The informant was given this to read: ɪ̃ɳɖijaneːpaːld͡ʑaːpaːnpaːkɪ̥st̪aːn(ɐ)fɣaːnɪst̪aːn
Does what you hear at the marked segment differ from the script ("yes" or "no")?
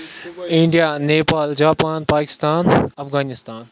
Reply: no